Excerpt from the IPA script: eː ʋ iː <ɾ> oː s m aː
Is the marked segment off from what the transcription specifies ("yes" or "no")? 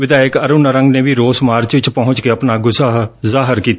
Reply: no